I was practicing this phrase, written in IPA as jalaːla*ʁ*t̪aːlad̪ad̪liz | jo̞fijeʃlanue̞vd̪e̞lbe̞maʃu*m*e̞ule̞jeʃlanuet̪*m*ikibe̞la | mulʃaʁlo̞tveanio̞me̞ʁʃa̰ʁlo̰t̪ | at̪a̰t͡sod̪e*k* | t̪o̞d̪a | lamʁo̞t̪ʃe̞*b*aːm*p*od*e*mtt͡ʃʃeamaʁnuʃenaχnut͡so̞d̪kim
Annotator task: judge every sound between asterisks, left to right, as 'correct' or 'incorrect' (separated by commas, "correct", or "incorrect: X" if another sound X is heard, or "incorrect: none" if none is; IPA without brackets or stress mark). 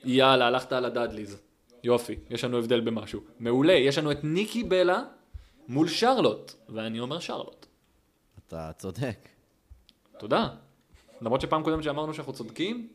incorrect: χ, correct, incorrect: n, correct, incorrect: p, incorrect: k, correct